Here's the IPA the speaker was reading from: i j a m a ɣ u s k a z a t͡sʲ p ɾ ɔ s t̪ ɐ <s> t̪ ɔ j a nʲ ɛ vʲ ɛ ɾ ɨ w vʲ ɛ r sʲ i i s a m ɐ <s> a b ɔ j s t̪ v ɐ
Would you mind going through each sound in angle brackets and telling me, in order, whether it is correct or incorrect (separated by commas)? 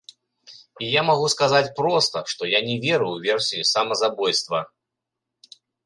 incorrect, incorrect